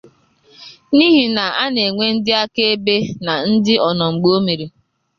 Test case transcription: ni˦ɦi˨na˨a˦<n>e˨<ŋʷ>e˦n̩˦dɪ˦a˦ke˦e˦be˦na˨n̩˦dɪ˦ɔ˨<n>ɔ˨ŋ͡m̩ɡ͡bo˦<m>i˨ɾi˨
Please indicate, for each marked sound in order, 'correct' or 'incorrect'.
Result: correct, correct, correct, correct

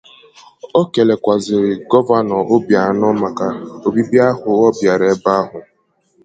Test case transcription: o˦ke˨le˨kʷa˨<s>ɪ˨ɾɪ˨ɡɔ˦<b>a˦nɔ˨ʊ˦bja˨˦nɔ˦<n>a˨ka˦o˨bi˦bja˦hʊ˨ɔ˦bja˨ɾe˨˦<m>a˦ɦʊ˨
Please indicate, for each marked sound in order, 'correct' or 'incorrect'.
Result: incorrect: z, incorrect: v, incorrect: m, incorrect: b

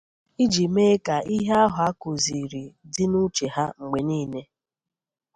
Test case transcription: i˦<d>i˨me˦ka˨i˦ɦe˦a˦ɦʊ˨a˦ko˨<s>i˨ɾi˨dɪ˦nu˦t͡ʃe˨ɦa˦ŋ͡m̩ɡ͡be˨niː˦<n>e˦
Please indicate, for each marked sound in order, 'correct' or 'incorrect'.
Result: incorrect: d͡ʒ, incorrect: z, correct

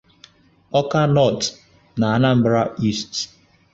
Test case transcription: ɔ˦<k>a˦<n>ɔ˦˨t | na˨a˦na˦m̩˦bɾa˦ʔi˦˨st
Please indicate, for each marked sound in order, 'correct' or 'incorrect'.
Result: correct, correct

